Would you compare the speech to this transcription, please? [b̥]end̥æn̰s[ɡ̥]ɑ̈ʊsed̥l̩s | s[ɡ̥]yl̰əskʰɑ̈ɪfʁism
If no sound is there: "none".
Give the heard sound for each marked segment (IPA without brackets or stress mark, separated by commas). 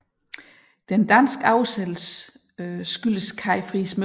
d̥, ɡ̥, ɡ̥